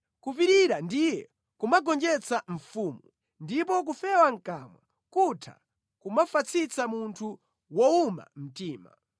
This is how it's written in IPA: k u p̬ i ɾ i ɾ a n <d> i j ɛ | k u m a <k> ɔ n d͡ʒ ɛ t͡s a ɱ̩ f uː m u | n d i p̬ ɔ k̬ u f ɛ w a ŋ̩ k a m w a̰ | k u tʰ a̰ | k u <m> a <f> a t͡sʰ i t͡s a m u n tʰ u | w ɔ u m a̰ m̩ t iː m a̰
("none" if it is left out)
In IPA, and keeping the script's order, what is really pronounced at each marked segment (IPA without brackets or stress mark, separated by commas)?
d, ɡ, m, f